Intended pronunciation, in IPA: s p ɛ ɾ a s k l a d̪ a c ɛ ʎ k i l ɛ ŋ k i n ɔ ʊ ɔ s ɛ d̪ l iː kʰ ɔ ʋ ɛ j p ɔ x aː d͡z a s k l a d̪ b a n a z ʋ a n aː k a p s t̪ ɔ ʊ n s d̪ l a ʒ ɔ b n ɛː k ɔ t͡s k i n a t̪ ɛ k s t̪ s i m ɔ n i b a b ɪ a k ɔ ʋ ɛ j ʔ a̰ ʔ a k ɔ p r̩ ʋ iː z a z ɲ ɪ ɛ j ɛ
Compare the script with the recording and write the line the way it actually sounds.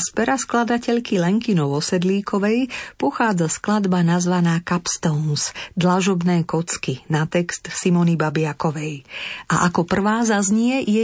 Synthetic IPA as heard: s p ɛ ɾ a s k l a d̪ a c ɛ ʎ k i l ɛ ŋ k i n ɔ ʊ ɔ s ɛ d̪ l iː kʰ ɔ ʋ ɛ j p ɔ x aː d͡z a s k l a d̪ b a n a z ʋ a n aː k a p s t̪ ɔ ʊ n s d̪ l a ʒ ɔ b n ɛː k ɔ t͡s k i n a t̪ ɛ k s t̪ s i m ɔ n i b a b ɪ a k ɔ ʋ ɛ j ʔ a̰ ʔ a k ɔ p r̩ ʋ aː z a z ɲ ɪ ɛ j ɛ